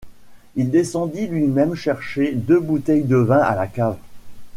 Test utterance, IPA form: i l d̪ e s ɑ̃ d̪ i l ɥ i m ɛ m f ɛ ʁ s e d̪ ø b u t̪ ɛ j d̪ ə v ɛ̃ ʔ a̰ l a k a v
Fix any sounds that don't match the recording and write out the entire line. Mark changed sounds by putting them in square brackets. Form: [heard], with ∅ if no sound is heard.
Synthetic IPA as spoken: i l d̪ e s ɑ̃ d̪ i l ɥ i m ɛ m [ʃ] ɛ ʁ [ʃ] e d̪ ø b u t̪ ɛ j d̪ ə v ɛ̃ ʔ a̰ l a k a v

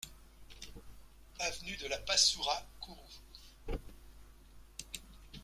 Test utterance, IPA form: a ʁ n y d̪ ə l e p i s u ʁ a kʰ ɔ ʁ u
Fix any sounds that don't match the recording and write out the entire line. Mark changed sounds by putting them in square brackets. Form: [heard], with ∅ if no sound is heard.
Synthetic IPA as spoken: a [v] n y d̪ ə l [a] p [a] s u ʁ a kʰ [u] ʁ u

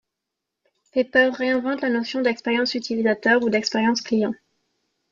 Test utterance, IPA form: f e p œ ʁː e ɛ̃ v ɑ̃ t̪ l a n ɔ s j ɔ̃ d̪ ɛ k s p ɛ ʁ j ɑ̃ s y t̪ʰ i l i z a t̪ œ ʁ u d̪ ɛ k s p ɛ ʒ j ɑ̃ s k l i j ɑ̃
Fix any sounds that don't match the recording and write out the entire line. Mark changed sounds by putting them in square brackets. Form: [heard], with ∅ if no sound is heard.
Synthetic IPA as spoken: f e p œ ʁː e ɛ̃ v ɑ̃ t̪ l a n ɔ s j ɔ̃ d̪ ɛ k s p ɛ ʁ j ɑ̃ s y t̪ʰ i l i z a t̪ œ ʁ u d̪ ɛ k s p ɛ [ʁ] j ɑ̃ s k l i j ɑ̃

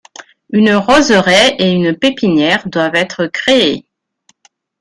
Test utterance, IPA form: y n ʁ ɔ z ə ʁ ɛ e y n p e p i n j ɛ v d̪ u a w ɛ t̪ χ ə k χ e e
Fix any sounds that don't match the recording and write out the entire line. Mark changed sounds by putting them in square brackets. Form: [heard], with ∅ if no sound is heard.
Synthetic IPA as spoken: y n ʁ ɔ z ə ʁ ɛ e y n p e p i n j ɛ [ʁ] d̪ [w] a [v] ɛ t̪ χ ə k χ e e

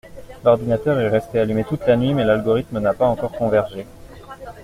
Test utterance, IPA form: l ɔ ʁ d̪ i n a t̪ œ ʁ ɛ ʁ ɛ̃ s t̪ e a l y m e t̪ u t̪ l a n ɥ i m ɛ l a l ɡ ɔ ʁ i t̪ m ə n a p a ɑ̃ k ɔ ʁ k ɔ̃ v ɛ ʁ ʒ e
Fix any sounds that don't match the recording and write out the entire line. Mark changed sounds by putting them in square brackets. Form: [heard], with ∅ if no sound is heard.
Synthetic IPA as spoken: l ɔ ʁ d̪ i n a t̪ œ ʁ ɛ ʁ [ɛ] s t̪ e a l y m e t̪ u t̪ l a n ɥ i m ɛ l a l ɡ ɔ ʁ i t̪ m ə n a p a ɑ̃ k ɔ ʁ k ɔ̃ v ɛ ʁ ʒ e

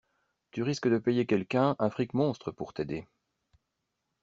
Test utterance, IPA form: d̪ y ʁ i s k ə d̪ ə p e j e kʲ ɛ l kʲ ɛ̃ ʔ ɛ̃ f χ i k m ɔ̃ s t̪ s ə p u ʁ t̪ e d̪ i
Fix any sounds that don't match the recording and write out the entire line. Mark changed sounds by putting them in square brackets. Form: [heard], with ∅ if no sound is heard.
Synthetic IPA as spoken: [t̪] y ʁ i s k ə d̪ ə p e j e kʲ ɛ l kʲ ɛ̃ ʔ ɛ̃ f χ i k m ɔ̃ s t̪ [χ] ə p u ʁ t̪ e d̪ [e]

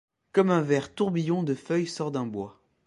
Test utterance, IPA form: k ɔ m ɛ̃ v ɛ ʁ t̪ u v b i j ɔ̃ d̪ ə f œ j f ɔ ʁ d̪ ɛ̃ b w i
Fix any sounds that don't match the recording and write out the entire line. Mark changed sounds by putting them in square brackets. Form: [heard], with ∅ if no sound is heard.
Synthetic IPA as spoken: k ɔ m ɛ̃ v ɛ ʁ t̪ u [ʁ] b i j ɔ̃ d̪ ə f œ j [s] ɔ ʁ d̪ ɛ̃ b w [a]

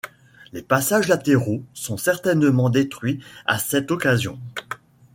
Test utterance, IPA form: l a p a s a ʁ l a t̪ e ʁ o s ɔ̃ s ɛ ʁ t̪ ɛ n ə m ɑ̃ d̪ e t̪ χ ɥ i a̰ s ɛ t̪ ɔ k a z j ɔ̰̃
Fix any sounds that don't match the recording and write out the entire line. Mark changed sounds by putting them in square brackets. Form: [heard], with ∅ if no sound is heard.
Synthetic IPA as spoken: l [e] p a s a [ʒ] l a t̪ e ʁ o s ɔ̃ s ɛ ʁ t̪ ɛ n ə m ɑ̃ d̪ e t̪ χ ɥ i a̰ s ɛ t̪ ɔ k a z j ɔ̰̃

